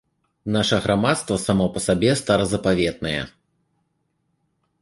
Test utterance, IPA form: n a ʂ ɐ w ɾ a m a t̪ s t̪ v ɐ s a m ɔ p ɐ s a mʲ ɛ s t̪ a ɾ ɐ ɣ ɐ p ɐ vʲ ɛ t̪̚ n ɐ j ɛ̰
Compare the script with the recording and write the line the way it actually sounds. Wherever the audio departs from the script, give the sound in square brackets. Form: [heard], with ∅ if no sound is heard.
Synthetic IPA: n a ʂ ɐ [ɣ] ɾ a m a t̪ s t̪ v ɐ s a m ɔ p ɐ s a [bʲ] ɛ s t̪ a ɾ ɐ [z] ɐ p [a] vʲ ɛ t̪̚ n ɐ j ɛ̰